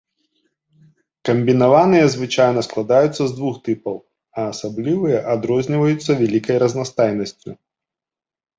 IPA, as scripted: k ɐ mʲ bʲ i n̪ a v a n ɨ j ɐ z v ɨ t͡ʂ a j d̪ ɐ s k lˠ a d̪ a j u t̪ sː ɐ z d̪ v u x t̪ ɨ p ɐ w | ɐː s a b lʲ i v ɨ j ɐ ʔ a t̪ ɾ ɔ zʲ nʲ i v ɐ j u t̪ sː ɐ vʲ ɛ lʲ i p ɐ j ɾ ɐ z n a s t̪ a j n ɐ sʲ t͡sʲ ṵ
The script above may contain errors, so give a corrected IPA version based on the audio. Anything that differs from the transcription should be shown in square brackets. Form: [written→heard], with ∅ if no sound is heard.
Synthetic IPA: k ɐ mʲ bʲ i n̪ a v a n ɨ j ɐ z v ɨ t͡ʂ a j [d̪→n̪] ɐ s k lˠ a d̪ a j u t̪ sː ɐ z d̪ v u x t̪ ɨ p ɐ w | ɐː s a b lʲ i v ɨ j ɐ ʔ a [t̪→d̪] ɾ ɔ zʲ nʲ i v ɐ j u t̪ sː ɐ vʲ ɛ lʲ i [p→k] ɐ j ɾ ɐ z n a s t̪ a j n ɐ sʲ t͡sʲ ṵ